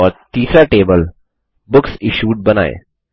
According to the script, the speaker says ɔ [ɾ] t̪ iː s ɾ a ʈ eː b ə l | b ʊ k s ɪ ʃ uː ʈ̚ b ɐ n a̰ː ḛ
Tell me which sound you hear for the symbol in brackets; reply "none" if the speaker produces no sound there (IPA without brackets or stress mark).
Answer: ɾ